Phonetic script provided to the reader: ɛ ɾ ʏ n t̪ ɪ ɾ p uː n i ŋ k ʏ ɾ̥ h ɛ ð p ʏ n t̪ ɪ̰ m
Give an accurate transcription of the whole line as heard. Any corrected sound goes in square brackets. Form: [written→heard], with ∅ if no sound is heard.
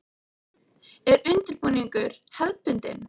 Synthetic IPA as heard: ɛ ɾ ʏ n t̪ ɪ ɾ p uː n i ŋ k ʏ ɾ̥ h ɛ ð p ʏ n t̪ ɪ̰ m